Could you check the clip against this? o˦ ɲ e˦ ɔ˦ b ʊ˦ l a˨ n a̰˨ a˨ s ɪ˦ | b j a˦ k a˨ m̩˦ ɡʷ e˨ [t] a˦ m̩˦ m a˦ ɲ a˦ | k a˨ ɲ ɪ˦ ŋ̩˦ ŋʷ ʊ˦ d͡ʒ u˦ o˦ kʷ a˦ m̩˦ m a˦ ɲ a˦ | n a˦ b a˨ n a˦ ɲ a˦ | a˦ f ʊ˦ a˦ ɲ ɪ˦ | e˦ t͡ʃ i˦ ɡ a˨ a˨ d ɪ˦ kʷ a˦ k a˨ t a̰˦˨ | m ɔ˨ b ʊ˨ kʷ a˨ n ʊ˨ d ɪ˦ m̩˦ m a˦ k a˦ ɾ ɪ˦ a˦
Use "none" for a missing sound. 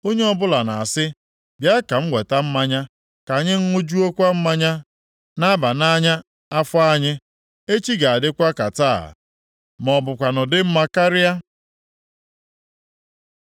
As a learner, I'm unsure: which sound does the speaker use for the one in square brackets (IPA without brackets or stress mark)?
t